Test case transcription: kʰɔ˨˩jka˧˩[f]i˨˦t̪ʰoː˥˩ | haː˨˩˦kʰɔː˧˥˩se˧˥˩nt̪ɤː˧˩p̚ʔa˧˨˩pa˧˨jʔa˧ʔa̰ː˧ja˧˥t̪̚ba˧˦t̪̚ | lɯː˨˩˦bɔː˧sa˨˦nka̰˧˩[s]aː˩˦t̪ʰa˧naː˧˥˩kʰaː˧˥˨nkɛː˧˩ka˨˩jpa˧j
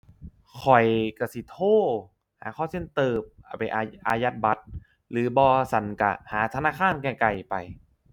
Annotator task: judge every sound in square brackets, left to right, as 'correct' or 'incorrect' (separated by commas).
incorrect, incorrect